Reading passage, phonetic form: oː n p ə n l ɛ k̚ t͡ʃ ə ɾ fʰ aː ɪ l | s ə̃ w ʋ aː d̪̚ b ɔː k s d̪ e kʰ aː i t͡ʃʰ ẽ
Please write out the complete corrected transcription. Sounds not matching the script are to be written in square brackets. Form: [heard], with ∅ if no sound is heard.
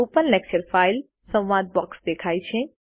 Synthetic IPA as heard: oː [∅] p ə n l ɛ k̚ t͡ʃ ə ɾ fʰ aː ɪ l | s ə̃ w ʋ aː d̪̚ b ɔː k s d̪ e kʰ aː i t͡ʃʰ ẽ